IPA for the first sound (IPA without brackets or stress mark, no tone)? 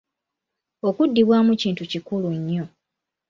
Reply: o